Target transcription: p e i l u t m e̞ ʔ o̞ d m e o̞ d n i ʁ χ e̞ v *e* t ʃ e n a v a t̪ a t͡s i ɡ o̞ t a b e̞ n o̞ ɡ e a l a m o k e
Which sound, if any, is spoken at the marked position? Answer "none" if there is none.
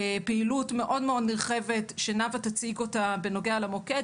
e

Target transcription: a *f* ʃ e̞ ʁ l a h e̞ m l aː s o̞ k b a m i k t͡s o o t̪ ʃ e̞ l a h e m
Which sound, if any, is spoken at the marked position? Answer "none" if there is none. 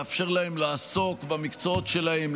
f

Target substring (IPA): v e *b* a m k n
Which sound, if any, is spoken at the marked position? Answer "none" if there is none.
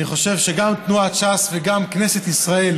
ɡ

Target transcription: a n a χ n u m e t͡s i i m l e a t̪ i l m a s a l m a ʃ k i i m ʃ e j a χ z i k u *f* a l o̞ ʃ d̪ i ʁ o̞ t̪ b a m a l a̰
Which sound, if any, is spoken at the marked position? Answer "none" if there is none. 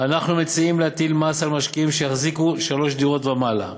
ʃ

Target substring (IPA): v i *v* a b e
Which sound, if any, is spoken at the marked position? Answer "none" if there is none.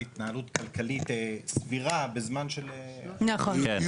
ʁ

